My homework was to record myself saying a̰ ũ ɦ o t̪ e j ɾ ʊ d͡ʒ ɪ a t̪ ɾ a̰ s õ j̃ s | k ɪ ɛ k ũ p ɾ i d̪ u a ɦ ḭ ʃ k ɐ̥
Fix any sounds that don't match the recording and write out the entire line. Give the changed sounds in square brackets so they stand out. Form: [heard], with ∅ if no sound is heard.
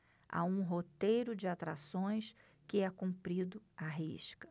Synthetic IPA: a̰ ũ ɦ o t̪ e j ɾ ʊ d͡ʒ ɪ a t̪ ɾ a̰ s õ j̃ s | k ɪ ɛ k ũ p ɾ i d̪ [ʊ] a ɦ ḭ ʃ k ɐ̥